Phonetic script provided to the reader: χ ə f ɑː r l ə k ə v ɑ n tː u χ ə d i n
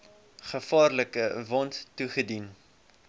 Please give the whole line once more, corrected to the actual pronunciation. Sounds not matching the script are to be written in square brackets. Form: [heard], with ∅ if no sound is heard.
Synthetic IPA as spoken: χ ə f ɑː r l ə k ə v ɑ n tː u χ ə d i n